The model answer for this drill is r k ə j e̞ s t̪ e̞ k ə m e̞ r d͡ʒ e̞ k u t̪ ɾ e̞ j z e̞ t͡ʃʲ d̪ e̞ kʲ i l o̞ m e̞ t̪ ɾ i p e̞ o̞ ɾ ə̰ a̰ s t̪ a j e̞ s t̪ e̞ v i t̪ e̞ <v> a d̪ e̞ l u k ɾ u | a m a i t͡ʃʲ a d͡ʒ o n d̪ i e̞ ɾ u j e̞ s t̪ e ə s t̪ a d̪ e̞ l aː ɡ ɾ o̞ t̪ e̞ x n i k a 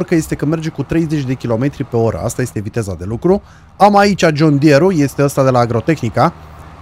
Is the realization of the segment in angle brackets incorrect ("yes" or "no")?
yes